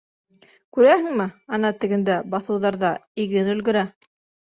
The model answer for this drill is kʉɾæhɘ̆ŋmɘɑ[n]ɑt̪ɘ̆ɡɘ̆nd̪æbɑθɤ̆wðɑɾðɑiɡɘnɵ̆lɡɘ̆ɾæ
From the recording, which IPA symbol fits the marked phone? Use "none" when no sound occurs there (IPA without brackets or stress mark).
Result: n